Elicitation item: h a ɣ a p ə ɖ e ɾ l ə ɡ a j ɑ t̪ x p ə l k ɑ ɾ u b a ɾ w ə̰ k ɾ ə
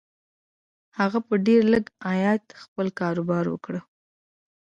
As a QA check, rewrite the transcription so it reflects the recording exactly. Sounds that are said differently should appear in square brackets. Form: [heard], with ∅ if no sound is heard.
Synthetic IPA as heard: h a ɣ a p ə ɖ e ɾ l ə ɡ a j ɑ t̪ x p ə l k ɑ ɾ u b [ɑ] ɾ w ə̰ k [ɽ] ə